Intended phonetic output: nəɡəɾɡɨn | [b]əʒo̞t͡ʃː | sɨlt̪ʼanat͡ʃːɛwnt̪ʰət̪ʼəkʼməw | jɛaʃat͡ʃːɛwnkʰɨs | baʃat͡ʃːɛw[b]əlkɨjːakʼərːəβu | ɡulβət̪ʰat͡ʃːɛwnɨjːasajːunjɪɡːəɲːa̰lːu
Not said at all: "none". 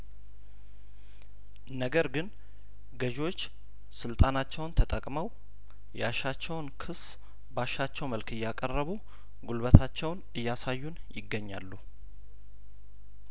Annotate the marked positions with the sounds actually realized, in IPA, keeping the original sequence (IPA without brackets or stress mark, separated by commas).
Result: ɡ, m